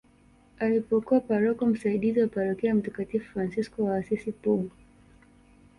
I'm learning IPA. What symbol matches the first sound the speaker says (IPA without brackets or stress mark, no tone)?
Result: a